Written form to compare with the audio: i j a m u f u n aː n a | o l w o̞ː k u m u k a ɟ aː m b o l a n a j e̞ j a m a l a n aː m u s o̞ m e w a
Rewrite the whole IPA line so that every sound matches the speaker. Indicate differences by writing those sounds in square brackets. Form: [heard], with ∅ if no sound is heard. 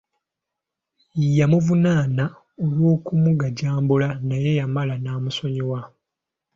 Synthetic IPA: i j a m u [v] u n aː n a | o l w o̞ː k u m u [ɡ] a ɟ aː m b [u] l a n a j e̞ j a m a l a n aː m u s o̞ [ɲ] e w a